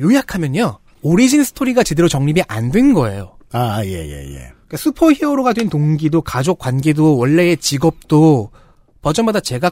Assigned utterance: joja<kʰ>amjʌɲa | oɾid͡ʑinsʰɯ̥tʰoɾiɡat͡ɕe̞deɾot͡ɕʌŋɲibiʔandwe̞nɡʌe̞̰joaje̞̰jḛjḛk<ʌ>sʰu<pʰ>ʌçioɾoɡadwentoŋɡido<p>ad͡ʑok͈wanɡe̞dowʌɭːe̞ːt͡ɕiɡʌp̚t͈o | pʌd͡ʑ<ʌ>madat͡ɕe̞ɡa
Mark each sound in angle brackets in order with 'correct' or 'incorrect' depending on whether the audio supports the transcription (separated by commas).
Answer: correct, incorrect, correct, incorrect, correct